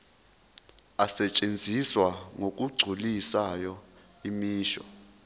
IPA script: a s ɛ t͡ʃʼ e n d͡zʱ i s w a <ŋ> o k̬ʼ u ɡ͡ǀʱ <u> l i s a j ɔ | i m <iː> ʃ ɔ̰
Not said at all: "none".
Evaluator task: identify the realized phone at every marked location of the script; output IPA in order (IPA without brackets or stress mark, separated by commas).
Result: ŋ, u, iː